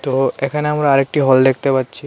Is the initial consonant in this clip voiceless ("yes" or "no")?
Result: yes